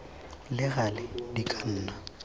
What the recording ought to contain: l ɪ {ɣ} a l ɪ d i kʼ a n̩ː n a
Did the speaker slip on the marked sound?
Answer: no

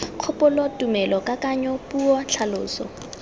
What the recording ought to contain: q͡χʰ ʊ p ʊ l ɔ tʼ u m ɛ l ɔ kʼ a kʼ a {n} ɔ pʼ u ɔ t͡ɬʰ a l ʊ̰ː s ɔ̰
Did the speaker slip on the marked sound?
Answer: yes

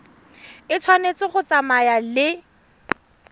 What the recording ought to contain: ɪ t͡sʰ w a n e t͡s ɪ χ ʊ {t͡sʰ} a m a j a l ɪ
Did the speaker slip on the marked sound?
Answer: yes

